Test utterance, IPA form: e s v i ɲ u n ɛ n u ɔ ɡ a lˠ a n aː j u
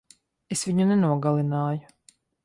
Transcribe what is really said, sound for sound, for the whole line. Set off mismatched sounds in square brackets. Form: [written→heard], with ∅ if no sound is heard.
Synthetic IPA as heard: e s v i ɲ u n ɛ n u ɔ ɡ a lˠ [a→i] n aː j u